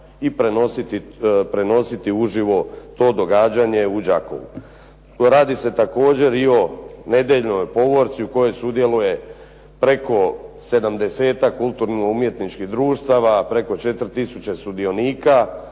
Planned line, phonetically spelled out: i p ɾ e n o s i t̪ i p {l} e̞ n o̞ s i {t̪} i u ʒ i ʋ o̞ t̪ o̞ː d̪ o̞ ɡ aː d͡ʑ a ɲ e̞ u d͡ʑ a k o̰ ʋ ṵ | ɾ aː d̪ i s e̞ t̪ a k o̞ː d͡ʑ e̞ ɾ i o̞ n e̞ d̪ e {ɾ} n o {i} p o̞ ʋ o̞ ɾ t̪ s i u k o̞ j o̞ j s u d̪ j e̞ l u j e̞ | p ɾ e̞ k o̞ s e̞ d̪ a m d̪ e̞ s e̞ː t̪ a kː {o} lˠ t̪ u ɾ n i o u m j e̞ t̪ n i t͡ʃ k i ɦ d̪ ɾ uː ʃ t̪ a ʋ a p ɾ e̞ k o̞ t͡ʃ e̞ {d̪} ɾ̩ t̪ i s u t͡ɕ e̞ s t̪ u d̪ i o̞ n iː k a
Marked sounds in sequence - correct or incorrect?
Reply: incorrect, correct, incorrect, incorrect, incorrect, incorrect

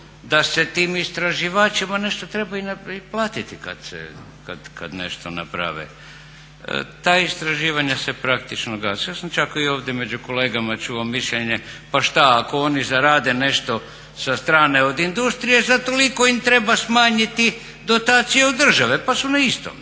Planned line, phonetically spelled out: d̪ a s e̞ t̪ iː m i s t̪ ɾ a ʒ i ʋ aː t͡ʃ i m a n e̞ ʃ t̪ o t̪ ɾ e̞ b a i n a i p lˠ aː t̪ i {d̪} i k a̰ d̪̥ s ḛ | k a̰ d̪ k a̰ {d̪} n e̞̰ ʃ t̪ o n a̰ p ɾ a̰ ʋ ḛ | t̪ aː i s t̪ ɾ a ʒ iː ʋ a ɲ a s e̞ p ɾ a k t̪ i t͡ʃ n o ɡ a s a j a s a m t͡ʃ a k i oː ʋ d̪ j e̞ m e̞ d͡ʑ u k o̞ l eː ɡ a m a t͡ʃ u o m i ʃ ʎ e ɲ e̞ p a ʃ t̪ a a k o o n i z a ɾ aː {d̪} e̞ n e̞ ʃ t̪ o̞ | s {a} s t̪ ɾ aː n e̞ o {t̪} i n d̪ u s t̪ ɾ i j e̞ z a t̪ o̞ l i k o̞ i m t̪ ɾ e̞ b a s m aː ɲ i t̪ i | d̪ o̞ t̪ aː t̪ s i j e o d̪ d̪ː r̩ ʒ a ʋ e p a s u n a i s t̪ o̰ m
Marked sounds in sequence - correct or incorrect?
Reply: incorrect, correct, correct, correct, incorrect

